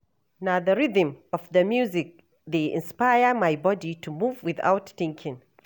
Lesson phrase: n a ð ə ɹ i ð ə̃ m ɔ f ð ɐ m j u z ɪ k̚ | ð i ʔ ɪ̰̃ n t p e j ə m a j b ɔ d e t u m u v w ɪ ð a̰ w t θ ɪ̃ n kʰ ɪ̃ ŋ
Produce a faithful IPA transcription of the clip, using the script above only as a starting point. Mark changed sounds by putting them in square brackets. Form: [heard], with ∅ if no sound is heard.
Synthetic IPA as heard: n a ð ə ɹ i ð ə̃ m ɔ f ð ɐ m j u z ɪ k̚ | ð [e] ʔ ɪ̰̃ n [s] p [a] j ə m a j b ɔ d [i] t u m u v w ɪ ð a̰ w t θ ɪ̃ [ŋ] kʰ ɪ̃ ŋ